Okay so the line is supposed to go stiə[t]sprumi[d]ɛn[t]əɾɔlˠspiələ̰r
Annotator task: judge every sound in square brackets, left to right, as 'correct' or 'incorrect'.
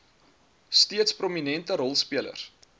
correct, incorrect, correct

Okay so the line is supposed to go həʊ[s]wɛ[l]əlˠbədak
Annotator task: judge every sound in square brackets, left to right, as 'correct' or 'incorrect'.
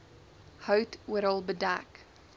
incorrect, incorrect

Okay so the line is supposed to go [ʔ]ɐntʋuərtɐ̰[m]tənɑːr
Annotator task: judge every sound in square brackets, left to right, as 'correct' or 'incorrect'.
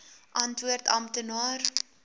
correct, correct

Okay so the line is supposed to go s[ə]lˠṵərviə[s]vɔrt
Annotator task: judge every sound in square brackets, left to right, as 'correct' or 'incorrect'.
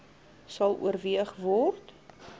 incorrect, incorrect

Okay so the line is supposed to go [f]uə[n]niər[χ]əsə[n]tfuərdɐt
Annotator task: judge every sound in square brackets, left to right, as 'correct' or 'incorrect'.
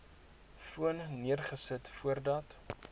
correct, correct, correct, incorrect

